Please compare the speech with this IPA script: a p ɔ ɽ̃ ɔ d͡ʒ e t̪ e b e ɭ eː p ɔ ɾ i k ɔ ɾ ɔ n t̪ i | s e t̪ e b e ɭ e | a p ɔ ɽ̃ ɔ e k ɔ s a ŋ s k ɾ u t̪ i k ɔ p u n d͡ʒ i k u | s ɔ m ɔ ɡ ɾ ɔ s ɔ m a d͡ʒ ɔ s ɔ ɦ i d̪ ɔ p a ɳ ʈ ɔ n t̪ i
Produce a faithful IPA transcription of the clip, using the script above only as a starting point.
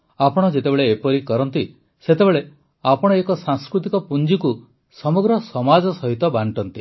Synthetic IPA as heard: a p ɔ ɽ̃ ɔ d͡ʒ e t̪ e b e ɭ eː p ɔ ɾ i k ɔ ɾ ɔ n t̪ i | s e t̪ e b e ɭ e | a p ɔ ɽ̃ ɔ e k ɔ s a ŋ s k ɾ u t̪ i k ɔ p u n d͡ʒ i k u | s ɔ m ɔ ɡ ɾ ɔ s ɔ m a d͡ʒ ɔ s ɔ ɦ i t̪ ɔ b a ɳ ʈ ɔ n t̪ i